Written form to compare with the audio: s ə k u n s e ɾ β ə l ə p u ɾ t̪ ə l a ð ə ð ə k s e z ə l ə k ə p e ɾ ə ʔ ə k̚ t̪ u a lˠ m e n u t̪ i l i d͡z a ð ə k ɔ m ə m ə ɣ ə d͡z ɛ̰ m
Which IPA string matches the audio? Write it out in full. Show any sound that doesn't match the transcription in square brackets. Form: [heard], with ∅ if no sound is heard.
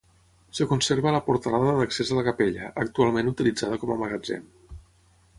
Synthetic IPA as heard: s ə k u n s e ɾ β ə l ə p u ɾ t̪ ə l a ð ə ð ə k s e z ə l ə k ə p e [ʎ] ə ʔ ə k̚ t̪ u a lˠ m e n u t̪ i l i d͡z a ð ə k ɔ m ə m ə ɣ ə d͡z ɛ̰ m